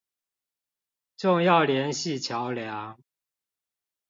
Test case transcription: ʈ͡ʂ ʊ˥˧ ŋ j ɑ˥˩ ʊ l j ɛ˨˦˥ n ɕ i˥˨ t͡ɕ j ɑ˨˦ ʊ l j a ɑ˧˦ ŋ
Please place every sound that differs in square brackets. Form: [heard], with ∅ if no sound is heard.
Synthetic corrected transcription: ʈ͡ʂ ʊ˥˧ ŋ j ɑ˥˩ ʊ l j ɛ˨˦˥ n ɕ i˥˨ [t͡ɕʰ] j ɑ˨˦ ʊ l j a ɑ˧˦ ŋ